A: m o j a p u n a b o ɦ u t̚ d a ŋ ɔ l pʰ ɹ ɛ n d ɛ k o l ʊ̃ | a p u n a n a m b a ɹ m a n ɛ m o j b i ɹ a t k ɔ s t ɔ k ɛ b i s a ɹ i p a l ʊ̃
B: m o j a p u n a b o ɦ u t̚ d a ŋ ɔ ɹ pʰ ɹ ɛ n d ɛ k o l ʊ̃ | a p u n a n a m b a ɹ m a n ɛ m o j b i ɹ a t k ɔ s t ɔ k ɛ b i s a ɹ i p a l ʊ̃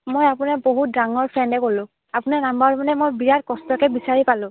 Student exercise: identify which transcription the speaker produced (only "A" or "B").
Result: B